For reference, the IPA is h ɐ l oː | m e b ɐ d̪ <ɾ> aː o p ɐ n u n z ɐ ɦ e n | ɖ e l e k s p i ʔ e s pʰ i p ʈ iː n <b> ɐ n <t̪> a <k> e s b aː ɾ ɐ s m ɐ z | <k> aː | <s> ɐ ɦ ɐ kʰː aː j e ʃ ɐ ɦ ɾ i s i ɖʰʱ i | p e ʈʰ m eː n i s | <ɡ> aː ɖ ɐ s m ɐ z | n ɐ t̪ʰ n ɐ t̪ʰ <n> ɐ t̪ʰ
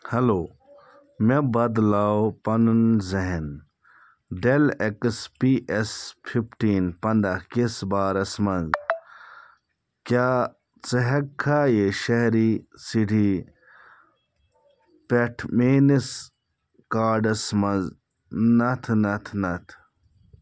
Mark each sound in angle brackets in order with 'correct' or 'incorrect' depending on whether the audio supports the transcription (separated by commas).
incorrect, incorrect, incorrect, correct, correct, incorrect, incorrect, correct